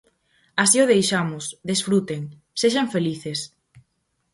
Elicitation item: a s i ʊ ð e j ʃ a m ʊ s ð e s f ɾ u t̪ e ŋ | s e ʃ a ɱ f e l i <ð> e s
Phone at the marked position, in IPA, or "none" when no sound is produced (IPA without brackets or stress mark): θ